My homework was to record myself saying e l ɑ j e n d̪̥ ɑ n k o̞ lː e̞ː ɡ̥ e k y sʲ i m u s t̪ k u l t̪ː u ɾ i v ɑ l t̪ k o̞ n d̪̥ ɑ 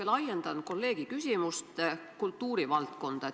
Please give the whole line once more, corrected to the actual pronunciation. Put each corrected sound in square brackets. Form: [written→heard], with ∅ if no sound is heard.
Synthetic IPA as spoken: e l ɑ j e n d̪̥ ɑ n k o̞ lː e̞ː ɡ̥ [e→i] k y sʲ i m u s t̪ k u l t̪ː [u→uː] ɾ i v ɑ l t̪ k o̞ n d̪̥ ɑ